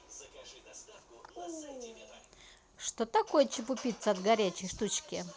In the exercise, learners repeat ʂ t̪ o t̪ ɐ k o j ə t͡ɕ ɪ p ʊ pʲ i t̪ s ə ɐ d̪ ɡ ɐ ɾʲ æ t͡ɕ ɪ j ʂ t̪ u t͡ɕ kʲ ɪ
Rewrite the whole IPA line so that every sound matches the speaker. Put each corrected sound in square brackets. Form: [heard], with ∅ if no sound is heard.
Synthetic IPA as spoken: ʂ t̪ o t̪ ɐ k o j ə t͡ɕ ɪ p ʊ pʲ i t̪ s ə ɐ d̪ ɡ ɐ ɾʲ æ t͡ɕ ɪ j ʂ t̪ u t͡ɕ kʲ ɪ